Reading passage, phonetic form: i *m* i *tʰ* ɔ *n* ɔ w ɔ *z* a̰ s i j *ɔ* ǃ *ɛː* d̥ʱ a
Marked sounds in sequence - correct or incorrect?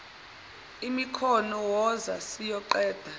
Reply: correct, incorrect, correct, correct, correct, correct

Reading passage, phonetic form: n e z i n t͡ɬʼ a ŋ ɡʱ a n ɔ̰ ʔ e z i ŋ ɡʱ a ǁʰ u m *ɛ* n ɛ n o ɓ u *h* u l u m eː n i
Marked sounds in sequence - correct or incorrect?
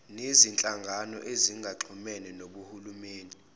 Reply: correct, correct

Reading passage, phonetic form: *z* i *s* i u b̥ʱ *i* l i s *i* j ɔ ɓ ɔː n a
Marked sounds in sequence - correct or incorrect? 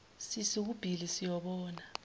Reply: incorrect, correct, correct, correct

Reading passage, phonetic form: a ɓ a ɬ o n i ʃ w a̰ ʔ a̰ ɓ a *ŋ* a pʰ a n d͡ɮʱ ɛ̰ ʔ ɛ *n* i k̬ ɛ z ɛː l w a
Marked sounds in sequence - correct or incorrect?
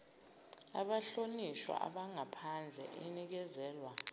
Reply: correct, correct

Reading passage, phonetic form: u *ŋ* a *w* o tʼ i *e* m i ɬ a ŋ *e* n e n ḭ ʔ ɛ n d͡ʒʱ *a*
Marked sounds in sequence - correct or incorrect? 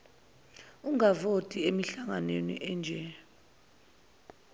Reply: correct, incorrect, correct, incorrect, incorrect

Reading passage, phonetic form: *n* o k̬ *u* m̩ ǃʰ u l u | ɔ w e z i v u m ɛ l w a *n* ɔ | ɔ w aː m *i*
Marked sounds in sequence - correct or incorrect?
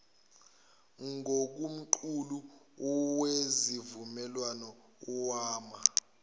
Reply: incorrect, correct, correct, incorrect

